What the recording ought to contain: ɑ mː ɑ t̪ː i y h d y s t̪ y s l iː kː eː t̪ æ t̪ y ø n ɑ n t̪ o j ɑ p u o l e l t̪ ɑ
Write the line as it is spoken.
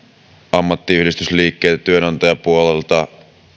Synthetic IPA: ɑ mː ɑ t̪ː i y h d i s t̪ y s l iː kː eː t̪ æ t̪ y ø n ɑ n t̪ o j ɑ p u o l e l t̪ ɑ